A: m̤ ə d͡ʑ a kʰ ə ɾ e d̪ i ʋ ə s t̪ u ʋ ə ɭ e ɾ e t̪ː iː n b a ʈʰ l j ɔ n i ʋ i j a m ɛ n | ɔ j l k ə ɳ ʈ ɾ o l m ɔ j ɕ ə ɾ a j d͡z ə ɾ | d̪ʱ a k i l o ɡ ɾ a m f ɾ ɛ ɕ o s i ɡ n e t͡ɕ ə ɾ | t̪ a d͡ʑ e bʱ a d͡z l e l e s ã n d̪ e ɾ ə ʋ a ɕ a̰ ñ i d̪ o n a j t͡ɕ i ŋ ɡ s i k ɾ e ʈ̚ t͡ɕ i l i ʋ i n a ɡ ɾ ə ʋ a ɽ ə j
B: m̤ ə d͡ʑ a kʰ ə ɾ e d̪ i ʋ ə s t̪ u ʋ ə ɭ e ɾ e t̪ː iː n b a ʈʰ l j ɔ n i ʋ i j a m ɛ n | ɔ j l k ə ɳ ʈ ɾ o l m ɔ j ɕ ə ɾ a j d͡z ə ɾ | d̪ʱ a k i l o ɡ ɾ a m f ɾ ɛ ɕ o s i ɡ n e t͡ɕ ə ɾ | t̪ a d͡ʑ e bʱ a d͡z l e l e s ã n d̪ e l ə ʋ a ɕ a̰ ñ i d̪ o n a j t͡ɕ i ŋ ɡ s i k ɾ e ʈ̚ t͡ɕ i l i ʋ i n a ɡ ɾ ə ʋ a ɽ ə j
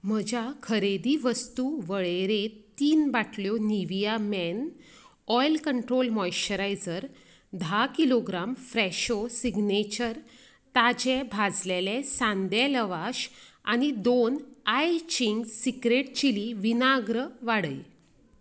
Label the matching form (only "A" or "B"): B